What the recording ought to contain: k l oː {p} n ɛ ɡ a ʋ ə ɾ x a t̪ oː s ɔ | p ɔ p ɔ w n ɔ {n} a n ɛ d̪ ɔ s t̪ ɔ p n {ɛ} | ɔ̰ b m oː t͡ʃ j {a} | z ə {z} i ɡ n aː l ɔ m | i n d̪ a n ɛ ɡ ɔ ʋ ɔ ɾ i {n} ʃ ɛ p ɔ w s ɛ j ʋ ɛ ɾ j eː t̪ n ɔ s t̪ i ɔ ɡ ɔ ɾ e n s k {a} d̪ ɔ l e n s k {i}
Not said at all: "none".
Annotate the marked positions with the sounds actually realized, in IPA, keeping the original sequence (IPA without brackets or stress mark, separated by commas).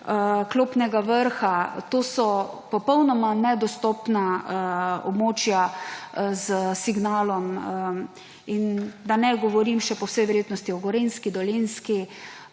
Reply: p, m, a, a, s, m, i, i